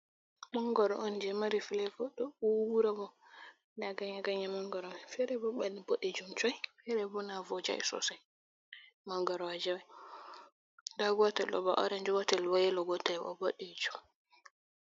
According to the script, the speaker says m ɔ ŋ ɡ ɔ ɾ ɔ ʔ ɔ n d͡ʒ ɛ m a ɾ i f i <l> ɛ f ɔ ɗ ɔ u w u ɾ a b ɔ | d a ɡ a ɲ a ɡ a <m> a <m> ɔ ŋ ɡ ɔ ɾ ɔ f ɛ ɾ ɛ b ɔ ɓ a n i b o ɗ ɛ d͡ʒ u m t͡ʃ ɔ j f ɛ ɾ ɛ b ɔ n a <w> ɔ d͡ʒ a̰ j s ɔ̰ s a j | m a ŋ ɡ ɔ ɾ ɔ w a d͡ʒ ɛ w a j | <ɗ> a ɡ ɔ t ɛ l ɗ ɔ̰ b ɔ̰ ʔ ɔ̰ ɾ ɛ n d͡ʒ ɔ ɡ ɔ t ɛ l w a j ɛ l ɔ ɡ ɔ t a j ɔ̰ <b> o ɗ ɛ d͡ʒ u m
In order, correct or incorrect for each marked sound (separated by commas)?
correct, incorrect, correct, incorrect, incorrect, correct